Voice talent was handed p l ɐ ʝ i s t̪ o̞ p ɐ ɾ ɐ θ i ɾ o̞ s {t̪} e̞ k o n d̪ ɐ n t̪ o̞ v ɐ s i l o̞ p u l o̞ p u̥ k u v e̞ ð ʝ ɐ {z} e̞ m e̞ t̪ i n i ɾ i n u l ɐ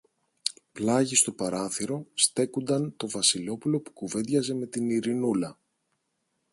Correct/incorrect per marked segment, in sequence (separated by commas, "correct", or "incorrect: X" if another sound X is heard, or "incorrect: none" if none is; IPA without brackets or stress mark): correct, correct